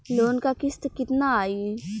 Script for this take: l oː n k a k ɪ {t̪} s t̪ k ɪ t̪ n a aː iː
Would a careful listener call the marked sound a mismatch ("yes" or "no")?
yes